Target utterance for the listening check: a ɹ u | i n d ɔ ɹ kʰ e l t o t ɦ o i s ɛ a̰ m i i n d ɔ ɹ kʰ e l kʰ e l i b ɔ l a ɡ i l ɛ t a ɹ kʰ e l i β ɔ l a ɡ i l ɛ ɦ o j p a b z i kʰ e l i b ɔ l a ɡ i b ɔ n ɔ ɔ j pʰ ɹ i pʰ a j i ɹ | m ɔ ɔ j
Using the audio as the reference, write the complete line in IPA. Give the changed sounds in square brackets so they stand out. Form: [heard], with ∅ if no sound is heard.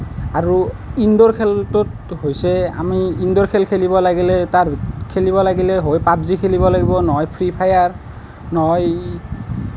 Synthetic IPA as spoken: a ɹ u | i n d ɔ ɹ kʰ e l t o t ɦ o [j] s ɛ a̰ m i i n d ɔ ɹ kʰ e l kʰ e l i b ɔ l a ɡ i l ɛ t a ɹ kʰ e l i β ɔ l a ɡ i l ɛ ɦ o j p a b z i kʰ e l i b ɔ l a ɡ i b ɔ n ɔ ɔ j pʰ ɹ i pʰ a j [a] ɹ | [n] ɔ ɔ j